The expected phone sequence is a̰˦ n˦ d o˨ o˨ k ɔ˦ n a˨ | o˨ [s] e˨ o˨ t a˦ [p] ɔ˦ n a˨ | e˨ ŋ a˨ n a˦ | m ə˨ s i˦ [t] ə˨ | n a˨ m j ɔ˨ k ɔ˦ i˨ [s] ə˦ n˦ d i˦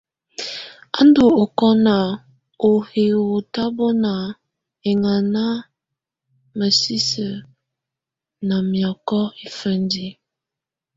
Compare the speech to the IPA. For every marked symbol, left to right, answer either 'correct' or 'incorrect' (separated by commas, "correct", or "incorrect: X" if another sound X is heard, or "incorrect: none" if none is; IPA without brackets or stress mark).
incorrect: h, incorrect: b, incorrect: s, incorrect: f